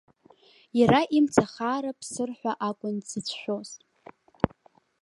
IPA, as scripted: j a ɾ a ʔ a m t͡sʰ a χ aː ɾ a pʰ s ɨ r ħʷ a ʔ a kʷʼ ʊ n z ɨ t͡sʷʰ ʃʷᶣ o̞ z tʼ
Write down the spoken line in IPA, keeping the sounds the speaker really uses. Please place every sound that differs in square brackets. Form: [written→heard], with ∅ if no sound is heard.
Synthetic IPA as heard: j a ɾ a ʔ [a→i] m t͡sʰ a χ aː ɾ a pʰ s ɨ r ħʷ a ʔ a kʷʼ ʊ n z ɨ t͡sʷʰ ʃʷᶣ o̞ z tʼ